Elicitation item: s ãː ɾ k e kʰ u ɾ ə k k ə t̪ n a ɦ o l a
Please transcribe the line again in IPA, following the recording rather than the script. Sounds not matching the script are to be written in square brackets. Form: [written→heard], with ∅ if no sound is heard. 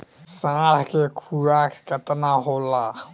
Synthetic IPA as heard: s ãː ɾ k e kʰ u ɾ [ə→a] k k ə t̪ n a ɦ o l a